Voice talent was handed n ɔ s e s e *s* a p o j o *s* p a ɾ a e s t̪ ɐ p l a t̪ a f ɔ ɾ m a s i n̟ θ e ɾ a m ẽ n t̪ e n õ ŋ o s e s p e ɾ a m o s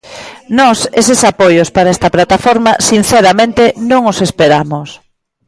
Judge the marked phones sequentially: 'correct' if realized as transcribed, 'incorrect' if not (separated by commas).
correct, correct